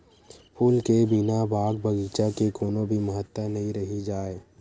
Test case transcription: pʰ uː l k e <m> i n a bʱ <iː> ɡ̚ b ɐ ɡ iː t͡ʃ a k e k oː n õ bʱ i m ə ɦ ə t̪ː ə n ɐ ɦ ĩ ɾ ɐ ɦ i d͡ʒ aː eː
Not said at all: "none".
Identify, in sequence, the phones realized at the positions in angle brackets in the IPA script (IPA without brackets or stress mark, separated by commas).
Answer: b, aː